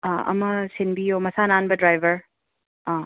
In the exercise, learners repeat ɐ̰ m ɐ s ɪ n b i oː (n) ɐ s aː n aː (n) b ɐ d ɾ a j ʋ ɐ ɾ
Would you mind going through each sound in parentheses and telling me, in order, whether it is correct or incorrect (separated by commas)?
incorrect, correct